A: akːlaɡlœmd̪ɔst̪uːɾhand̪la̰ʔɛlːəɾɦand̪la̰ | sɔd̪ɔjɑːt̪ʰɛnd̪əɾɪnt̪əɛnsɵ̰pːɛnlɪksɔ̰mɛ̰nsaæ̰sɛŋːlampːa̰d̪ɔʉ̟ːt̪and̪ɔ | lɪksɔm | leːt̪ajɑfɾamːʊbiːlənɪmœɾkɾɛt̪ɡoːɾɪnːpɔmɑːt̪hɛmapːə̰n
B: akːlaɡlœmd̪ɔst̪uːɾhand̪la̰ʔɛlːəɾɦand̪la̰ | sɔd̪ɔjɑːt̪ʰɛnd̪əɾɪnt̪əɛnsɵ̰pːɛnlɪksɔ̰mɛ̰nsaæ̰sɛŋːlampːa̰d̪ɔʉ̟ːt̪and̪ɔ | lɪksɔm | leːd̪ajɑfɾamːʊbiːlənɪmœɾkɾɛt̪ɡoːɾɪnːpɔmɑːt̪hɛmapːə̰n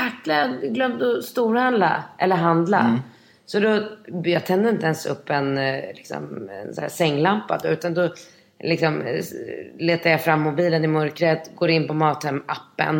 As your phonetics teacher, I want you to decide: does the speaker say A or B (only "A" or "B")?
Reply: A